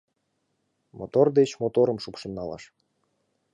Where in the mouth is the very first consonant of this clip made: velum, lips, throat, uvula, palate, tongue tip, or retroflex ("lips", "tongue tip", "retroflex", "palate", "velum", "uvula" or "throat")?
lips